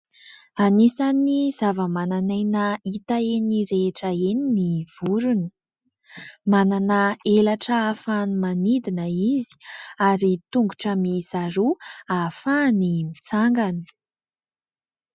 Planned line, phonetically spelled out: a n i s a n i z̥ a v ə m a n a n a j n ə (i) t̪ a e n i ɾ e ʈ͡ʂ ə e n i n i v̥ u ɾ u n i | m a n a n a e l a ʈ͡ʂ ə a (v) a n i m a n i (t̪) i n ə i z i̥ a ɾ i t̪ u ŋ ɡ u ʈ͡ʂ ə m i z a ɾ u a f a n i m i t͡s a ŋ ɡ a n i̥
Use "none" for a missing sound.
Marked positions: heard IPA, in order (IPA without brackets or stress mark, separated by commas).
i, f, d̪